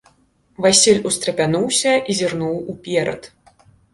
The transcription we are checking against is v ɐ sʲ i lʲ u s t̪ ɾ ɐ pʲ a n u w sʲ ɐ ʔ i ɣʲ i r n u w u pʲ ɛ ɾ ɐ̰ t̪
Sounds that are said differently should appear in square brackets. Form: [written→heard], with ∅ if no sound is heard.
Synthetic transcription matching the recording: v [ɐ→a] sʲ i lʲ u s t̪ ɾ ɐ pʲ a n u w sʲ ɐ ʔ i [ɣʲ→zʲ] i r n u w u pʲ ɛ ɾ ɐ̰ t̪